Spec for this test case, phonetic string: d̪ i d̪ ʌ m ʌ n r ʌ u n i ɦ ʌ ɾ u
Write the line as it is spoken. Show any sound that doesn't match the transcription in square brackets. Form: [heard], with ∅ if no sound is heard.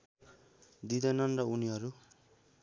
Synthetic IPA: d̪ i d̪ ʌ [n] ʌ n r ʌ u n i ɦ ʌ ɾ u